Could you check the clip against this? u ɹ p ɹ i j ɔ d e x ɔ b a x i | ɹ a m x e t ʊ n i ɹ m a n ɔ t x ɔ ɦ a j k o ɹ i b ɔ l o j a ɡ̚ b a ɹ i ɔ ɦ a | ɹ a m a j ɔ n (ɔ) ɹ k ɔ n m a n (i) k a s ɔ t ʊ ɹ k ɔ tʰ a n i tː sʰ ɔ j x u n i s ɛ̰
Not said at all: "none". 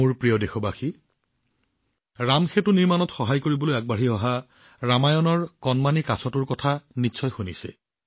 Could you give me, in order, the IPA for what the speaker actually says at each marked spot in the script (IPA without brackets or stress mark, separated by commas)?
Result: ɔ, i